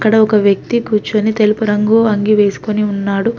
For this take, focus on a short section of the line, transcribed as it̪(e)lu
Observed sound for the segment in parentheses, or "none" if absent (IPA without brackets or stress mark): e